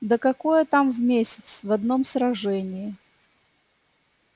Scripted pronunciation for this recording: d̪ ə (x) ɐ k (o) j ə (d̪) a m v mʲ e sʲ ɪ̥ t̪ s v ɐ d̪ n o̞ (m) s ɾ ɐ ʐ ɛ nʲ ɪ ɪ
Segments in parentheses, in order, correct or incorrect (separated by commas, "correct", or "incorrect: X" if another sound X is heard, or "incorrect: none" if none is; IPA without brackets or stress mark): incorrect: k, correct, incorrect: t̪, correct